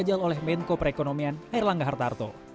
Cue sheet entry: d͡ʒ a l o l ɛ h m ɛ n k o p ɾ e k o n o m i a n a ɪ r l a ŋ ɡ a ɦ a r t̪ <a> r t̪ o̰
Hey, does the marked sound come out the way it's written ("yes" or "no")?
yes